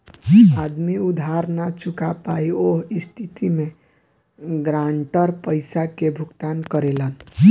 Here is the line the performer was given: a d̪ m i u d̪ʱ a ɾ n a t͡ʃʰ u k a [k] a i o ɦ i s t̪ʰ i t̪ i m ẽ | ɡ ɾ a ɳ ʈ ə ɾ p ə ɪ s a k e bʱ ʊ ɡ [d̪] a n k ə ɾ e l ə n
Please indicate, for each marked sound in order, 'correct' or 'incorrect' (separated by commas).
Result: incorrect, incorrect